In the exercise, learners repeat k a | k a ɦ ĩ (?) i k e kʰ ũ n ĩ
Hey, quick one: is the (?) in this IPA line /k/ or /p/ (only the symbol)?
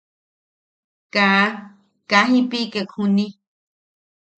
p